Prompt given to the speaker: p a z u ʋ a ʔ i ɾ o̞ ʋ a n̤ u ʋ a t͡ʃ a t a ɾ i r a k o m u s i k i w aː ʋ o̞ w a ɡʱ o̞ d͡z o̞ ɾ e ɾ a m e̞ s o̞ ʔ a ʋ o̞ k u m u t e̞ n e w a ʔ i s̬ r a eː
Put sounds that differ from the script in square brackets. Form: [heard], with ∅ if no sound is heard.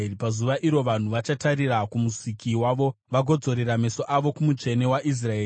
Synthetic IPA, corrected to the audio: p a z u ʋ a ʔ i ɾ o̞ ʋ a n̤ u ʋ a t͡ʃ a t a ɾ i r a k [u] m u s i k i w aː ʋ o̞ [ʋ] a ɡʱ o̞ d͡z o̞ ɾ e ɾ a m e̞ s o̞ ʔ a ʋ o̞ k u m u [t͡ʃ] e̞ n e w a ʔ i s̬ r a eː